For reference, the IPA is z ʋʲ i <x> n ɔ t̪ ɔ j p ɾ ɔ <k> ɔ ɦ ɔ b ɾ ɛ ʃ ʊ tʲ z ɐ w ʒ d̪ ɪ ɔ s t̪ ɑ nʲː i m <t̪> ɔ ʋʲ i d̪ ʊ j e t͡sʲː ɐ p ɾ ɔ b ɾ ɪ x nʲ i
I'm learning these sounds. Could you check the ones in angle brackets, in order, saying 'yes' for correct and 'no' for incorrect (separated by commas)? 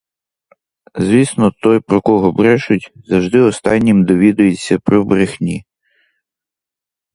no, yes, no